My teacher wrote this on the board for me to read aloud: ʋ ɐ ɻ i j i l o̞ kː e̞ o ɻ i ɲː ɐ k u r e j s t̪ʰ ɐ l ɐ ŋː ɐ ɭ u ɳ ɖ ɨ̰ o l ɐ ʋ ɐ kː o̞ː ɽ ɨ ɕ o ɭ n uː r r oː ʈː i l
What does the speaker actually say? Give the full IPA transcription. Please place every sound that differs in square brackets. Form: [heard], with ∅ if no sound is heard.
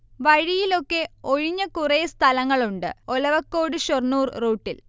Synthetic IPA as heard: ʋ ɐ ɻ i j i l o̞ kː e̞ o ɻ i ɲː ɐ k u r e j s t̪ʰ ɐ l ɐ ŋː ɐ ɭ u ɳ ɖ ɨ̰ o l ɐ ʋ ɐ kː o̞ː ɽ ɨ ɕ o [r] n uː r r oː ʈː i l